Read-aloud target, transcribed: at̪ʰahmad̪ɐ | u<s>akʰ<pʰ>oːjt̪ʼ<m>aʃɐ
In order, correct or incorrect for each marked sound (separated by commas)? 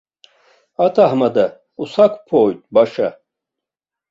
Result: correct, correct, incorrect